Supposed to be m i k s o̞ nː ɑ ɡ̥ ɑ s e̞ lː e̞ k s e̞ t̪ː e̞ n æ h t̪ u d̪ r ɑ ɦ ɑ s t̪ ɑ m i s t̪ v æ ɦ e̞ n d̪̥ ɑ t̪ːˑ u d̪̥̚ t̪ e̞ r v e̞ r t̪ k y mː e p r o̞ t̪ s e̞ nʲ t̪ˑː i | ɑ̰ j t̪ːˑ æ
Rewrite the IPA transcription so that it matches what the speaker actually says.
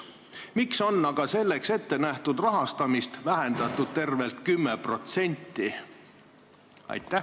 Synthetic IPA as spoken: m i k s o̞ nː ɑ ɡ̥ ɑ s e̞ lː e̞ k s e̞ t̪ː e̞ n æ h t̪ u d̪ r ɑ ɦ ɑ s t̪ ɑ m i s t̪ v æ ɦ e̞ n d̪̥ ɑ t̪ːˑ u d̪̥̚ t̪ e̞ r v e̞ l t̪ k y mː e p r o̞ t̪ s e̞ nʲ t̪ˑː i | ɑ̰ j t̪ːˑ æ